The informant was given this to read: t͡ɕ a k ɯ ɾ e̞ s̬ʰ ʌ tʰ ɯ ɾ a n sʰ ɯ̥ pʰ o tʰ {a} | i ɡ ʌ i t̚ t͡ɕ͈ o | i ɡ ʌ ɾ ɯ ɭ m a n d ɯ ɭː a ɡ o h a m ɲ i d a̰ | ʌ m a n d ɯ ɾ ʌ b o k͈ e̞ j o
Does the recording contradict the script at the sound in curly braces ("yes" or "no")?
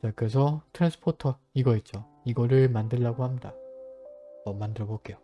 yes